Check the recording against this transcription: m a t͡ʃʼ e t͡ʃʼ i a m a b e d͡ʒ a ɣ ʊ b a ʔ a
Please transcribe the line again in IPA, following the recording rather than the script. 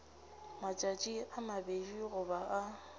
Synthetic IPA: m a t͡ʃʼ a t͡ʃʼ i a m a b e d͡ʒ i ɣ ʊ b a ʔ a